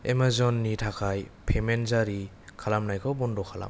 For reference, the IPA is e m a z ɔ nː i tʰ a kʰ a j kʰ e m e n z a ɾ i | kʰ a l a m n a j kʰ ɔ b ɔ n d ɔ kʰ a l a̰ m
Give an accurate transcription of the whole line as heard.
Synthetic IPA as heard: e m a z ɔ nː i tʰ a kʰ a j pʰ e m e n z a ɾ i | kʰ a l a m n a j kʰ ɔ b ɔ n d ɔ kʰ a l a̰ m